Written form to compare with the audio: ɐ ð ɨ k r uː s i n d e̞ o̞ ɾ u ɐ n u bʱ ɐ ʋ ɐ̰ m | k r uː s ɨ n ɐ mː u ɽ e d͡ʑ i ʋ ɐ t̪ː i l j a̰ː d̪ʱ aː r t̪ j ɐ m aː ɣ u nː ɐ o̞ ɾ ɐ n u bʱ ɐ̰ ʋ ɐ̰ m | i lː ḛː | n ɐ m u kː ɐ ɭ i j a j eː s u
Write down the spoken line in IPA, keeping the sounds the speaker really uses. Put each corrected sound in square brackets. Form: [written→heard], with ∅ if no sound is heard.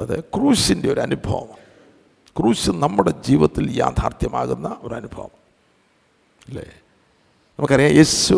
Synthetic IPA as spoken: ɐ ð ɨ k r uː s i n d e̞ o̞ ɾ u ɐ n u bʱ ɐ ʋ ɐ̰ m | k r uː s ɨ n ɐ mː u ɽ e d͡ʑ [i→iː] ʋ ɐ t̪ː i l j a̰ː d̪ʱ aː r t̪ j ɐ m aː ɣ u nː ɐ o̞ ɾ ɐ n u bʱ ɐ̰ ʋ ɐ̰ m | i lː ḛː | n ɐ m u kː ɐ [ɭ→r] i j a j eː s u